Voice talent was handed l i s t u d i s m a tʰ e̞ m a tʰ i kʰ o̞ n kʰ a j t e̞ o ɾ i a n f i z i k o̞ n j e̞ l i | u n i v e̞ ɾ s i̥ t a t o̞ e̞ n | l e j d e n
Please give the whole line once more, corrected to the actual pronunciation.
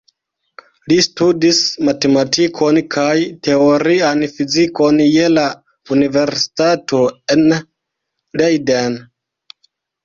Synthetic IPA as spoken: l i s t u d i s m a t e̞ m a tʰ i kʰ o̞ n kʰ a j t e̞ o ɾ i a n f i z i k o̞ n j e̞ l a | u n i v e̞ ɾ s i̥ t a t o̞ e̞ n | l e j d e n